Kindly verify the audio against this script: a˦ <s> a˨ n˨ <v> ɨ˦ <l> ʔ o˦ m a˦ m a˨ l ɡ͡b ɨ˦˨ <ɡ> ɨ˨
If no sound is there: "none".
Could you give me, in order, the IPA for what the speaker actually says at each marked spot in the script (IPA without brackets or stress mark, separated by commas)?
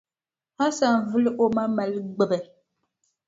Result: s, v, l, b